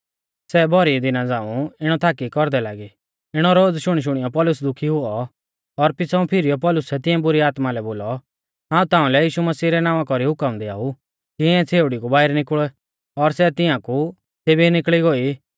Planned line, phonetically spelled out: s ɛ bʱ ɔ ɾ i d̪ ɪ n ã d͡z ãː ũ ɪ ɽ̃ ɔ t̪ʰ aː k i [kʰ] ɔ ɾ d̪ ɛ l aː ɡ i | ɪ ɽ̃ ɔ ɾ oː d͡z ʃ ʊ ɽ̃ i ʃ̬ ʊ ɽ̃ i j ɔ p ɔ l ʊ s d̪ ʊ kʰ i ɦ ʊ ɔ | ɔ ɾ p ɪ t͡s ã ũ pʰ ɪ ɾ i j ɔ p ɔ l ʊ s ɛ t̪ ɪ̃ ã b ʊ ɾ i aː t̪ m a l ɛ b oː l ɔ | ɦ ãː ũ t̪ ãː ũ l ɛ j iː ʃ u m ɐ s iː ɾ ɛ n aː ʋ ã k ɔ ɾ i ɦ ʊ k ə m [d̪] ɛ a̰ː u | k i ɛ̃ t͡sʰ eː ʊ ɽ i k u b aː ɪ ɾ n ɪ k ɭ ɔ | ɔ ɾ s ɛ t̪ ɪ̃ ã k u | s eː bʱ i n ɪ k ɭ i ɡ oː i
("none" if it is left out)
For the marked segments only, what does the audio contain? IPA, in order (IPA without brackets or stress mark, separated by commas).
k, d̪